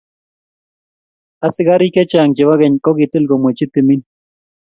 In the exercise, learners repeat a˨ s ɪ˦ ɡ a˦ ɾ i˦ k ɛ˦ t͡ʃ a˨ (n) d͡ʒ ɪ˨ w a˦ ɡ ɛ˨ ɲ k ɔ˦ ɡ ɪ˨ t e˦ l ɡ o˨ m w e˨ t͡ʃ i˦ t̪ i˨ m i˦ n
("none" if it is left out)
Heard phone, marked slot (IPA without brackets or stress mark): ŋ